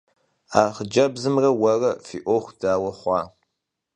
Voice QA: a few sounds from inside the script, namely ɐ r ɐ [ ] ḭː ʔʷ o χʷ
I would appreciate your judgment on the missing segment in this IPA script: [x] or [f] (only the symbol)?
f